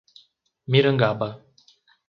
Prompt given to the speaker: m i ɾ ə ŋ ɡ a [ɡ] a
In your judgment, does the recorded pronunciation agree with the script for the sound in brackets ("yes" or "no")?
no